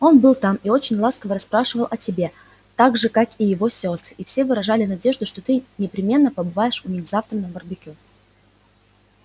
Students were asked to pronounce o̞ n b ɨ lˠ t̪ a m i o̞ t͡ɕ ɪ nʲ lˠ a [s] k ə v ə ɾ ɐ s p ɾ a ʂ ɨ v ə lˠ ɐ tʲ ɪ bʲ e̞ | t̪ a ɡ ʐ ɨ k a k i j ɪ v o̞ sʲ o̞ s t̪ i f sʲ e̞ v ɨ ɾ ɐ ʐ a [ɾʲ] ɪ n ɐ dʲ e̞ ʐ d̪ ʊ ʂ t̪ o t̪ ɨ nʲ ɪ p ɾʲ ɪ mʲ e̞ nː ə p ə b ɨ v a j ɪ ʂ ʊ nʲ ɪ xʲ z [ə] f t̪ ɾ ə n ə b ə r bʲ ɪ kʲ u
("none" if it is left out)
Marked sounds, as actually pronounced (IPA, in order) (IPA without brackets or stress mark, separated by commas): s, lʲ, a